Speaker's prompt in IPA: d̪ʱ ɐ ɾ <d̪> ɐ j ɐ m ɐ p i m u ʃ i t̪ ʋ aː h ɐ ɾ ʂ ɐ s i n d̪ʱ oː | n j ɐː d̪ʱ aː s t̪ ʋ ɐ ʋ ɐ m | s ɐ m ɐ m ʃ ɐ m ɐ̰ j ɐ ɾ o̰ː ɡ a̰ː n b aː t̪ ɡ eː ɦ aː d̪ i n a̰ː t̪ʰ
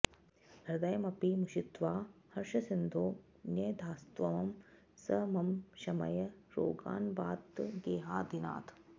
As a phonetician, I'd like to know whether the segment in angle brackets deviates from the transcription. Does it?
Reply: no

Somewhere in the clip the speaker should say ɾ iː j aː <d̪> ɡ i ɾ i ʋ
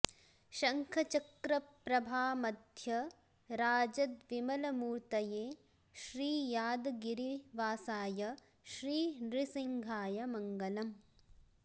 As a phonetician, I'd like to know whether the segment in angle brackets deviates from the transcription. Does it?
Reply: no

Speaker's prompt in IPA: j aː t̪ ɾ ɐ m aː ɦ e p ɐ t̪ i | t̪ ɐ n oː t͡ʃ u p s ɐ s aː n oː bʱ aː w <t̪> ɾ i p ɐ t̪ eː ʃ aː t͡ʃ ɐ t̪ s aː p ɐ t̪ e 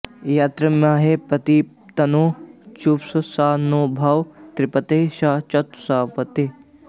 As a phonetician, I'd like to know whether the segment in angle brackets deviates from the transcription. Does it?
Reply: no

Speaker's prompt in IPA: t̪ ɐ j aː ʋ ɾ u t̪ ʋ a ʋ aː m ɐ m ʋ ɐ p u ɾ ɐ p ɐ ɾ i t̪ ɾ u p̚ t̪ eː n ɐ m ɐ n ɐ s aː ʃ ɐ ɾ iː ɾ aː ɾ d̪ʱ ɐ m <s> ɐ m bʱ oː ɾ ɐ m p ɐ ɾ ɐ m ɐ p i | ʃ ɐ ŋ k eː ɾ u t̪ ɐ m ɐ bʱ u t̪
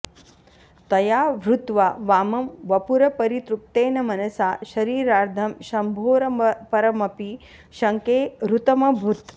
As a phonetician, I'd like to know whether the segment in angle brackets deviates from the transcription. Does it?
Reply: yes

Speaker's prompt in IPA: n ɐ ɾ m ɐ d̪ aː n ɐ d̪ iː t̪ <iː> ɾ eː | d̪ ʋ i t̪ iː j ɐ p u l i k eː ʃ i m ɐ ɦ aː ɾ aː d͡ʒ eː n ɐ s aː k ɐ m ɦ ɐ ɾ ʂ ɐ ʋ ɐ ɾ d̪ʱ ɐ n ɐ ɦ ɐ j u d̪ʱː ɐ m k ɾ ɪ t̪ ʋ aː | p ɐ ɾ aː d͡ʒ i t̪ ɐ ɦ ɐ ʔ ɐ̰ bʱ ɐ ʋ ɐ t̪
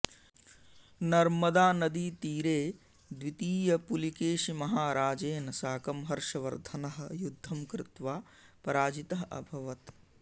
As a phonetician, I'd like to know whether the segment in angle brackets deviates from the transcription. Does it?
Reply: no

